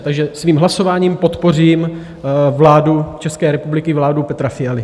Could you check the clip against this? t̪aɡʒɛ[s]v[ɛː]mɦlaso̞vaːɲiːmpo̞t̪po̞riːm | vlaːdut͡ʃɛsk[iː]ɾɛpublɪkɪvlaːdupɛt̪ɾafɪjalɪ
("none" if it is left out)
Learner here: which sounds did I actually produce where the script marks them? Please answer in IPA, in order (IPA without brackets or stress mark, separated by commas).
s, iː, ɛː